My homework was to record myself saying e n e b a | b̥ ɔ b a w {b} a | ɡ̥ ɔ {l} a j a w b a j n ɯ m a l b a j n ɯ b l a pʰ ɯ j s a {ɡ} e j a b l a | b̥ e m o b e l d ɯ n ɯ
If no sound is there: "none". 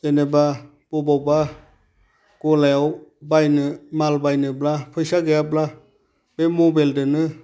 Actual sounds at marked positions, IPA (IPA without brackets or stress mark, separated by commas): b, l, ɡ